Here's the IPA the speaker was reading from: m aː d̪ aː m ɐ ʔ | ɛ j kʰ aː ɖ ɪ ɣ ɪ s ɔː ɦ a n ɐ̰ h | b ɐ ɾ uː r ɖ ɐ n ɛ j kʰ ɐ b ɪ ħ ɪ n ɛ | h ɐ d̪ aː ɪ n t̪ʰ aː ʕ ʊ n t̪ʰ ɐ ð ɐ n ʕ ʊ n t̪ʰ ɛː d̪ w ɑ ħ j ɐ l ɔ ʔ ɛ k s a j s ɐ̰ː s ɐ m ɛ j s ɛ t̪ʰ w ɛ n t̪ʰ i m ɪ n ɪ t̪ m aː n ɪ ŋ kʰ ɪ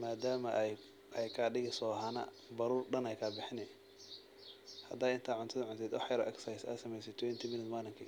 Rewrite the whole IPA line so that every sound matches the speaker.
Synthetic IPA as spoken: m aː d̪ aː m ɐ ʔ | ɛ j kʰ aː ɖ ɪ ɣ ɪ s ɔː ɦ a n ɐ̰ | b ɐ ɾ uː r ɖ ɐ n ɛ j kʰ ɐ b ɪ ħ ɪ n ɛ | h ɐ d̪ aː ɪ n t̪ʰ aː ʕ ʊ n t̪ʰ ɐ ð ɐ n ʕ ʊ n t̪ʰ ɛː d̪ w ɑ ħ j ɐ ɾ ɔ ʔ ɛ k s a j s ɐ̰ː s ɐ m ɛ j s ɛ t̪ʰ w ɛ n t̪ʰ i m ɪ n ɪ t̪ m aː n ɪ ŋ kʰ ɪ

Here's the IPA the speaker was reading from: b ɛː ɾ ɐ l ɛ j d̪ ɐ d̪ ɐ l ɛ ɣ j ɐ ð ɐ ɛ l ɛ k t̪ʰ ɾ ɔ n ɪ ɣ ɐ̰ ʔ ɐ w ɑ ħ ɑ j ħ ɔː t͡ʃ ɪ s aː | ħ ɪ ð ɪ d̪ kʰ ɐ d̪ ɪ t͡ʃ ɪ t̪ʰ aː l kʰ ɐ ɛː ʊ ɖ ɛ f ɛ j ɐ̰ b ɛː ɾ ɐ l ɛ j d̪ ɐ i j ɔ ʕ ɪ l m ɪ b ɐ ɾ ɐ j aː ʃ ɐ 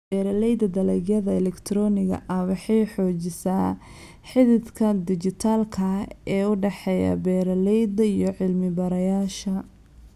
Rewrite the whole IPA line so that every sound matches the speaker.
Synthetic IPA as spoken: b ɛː ɾ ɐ l ɛ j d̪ ɐ d̪ ɐ l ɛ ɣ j ɐ ð ɐ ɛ l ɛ k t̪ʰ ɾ ɔ n ɪ ɣ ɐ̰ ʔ ɐ w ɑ ħ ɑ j ħ ɔː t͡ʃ ɪ s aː | ħ ɪ ð ɪ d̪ kʰ ɐ d̪ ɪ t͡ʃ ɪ t̪ʰ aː l kʰ ɐ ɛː ʊ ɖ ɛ ħ ɛ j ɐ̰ b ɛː ɾ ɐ l ɛ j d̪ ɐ i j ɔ ʕ ɪ l m ɪ b ɐ ɾ ɐ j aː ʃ ɐ

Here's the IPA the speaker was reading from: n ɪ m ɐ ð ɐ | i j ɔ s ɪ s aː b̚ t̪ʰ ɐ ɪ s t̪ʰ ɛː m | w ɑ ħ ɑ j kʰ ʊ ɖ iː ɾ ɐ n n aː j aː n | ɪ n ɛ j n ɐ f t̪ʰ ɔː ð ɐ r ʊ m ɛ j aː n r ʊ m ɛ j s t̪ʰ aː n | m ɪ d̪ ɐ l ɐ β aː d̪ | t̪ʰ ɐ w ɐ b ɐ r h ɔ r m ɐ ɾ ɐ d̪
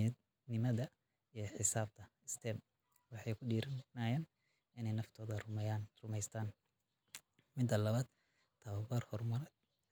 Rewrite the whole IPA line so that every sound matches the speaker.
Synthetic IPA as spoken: n ɪ m ɐ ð ɐ | i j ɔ ħ ɪ s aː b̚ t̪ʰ ɐ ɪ s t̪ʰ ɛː m | w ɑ ħ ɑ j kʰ ʊ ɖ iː ɾ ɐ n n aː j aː n | ɪ n ɛ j n ɐ f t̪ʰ ɔː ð ɐ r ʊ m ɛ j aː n r ʊ m ɛ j s t̪ʰ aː n | m ɪ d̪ ɐ l ɐ β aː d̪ | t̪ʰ ɐ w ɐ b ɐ r h ɔ r m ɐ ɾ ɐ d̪

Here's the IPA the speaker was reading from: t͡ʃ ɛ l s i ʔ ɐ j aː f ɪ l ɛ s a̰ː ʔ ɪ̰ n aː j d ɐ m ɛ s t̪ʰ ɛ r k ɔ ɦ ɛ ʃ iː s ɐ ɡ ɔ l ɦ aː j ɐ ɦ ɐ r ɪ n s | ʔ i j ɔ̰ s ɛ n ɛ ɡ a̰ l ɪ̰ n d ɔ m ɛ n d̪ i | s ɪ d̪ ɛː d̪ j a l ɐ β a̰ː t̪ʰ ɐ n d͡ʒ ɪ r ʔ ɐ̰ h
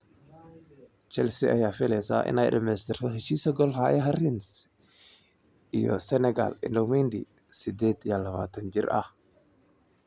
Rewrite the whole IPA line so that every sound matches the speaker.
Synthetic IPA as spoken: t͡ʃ ɛ l s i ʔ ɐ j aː f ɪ l ɛ s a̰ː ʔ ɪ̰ n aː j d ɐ m ɛ s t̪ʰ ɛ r k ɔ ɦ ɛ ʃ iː s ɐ ɡ ɔ l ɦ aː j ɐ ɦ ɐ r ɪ n s | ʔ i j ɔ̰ s ɛ n ɛ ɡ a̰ l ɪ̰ n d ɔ m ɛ n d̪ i | s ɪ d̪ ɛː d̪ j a l ɐ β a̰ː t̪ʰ ɐ n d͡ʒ ɪ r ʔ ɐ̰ h

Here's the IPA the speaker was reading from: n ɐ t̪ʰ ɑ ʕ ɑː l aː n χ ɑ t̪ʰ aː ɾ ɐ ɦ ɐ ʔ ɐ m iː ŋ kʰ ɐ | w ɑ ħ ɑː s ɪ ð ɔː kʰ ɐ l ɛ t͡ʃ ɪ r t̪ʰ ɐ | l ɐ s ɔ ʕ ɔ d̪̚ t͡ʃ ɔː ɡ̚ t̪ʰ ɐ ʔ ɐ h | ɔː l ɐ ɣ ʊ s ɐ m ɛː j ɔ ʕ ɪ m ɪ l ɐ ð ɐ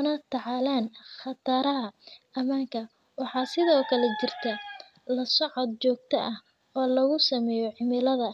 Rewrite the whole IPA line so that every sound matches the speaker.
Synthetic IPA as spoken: n ɐ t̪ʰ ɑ ʕ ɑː l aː n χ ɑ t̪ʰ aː ɾ ɐ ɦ ɐ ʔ ɐ m aː ŋ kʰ ɐ | w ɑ ħ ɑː s ɪ ð ɔː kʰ ɐ l ɛ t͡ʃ ɪ r t̪ʰ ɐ | l ɐ s ɔ ʕ ɔ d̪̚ t͡ʃ ɔː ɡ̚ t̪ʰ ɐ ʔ ɐ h | ɔː l ɐ ɣ ʊ s ɐ m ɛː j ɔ ʕ ɪ m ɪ l ɐ ð ɐ

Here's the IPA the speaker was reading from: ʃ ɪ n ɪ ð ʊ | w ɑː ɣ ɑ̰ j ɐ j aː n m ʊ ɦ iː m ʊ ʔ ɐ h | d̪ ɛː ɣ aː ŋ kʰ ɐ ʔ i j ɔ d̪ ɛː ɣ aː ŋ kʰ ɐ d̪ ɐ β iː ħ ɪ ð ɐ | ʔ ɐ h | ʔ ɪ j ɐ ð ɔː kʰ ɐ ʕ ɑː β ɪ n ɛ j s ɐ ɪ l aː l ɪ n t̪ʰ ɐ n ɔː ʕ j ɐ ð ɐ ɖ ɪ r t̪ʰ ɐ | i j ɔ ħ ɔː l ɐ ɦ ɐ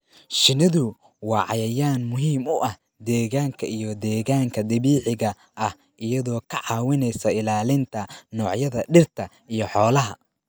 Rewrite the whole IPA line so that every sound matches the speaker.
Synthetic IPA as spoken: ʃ ɪ n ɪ ð ʊ | w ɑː ʕ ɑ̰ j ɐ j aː n m ʊ ɦ iː m ʊ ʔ ɐ h | d̪ ɛː ɣ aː ŋ kʰ ɐ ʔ i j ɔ d̪ ɛː ɣ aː ŋ kʰ ɐ d̪ ɐ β iː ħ ɪ ɣ ɐ | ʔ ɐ h | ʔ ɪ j ɐ ð ɔː kʰ ɐ ʕ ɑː w ɪ n ɛ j s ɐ ɪ l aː l ɪ n t̪ʰ ɐ n ɔː ʕ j ɐ ð ɐ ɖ ɪ r t̪ʰ ɐ | i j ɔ ħ ɔː l ɐ ɦ ɐ

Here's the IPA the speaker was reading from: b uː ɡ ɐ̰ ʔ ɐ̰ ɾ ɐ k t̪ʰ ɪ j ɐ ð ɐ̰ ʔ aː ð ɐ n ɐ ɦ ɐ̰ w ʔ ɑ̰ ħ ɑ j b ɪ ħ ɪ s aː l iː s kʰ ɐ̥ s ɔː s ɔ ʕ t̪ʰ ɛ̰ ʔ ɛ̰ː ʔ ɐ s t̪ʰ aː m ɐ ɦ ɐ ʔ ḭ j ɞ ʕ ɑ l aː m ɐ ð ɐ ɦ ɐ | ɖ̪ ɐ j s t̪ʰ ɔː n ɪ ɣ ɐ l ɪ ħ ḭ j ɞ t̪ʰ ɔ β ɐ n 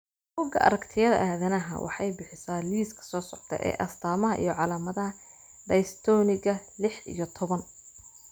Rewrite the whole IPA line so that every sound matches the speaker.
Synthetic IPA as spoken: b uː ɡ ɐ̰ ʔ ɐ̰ ɾ ɐ k t̪ʰ ɪ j ɐ ð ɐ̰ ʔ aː ð ɐ n ɐ ɦ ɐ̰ w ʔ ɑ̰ ħ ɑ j b ɪ ħ ɪ s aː l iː s kʰ ɐ̥ s ɔː s ɔ ʕ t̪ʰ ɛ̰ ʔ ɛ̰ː ʔ ɐ s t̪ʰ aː m ɐ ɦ ɐ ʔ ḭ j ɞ ʕ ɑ l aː m ɐ ð ɐ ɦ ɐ | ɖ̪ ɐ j s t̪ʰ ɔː n ɪ ɣ ɐ l ɪ ħ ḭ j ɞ t̪ʰ ɔ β ɐ n

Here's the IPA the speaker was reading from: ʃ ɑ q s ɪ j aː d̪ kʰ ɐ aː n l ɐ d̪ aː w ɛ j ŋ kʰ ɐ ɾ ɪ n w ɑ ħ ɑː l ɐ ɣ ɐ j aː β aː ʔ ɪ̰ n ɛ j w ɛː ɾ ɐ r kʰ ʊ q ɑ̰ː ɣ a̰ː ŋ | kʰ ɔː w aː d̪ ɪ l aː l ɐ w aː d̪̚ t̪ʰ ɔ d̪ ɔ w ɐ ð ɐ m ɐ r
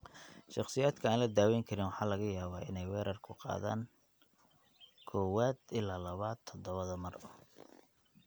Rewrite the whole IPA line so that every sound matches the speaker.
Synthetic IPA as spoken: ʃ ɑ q s ɪ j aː d̪ kʰ ɐ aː n l ɐ d̪ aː w ɛ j ŋ kʰ ɐ ɾ ɪ n w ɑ ħ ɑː l ɐ ɣ ɐ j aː β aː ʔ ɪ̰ n ɛ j w ɛː ɾ ɐ r kʰ ʊ q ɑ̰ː ð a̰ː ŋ | kʰ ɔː w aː d̪ ɪ l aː l ɐ β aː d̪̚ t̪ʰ ɔ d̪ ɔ β ɐ ð ɐ m ɐ r

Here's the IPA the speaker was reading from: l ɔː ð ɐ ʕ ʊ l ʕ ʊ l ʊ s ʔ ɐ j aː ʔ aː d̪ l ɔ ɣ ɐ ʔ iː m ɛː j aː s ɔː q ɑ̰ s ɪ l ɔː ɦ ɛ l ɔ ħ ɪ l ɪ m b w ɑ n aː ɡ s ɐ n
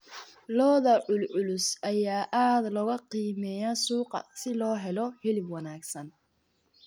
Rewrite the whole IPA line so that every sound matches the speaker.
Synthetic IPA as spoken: l ɔː ð ɐ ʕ ʊ l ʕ ʊ l ʊ s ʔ ɐ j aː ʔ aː d̪ l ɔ ɣ ɐ q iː m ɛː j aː s uː q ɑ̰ s ɪ l ɔː ɦ ɛ l ɔ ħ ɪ l ɪ b w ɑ n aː ɡ s ɐ n

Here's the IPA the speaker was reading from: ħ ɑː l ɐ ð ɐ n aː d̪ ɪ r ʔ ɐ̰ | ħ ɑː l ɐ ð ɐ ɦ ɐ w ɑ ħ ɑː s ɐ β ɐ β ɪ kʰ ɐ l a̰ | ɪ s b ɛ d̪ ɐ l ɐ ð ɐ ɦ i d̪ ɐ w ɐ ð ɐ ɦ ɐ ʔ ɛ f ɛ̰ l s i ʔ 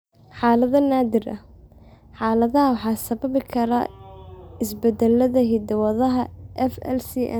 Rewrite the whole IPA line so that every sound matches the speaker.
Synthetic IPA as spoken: ħ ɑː l ɐ ð ɐ n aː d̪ ɪ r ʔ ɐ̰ | ħ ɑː l ɐ ð ɐ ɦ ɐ w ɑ ħ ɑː s ɐ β ɐ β ɪ kʰ ɐ ɾ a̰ | ɪ s b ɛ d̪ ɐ l ɐ ð ɐ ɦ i d̪ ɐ w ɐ ð ɐ ɦ ɐ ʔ ɛ f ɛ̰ l s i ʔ

